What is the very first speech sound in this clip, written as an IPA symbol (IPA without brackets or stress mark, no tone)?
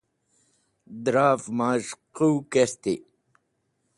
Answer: d̪